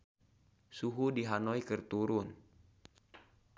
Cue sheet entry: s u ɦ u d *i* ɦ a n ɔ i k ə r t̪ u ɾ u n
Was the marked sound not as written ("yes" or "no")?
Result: no